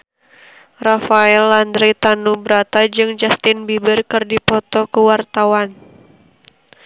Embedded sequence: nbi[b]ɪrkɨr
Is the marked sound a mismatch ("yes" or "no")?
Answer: no